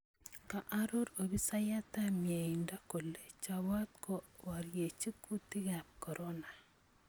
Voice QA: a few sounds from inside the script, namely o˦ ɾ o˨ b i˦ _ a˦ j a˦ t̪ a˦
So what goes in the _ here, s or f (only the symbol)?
s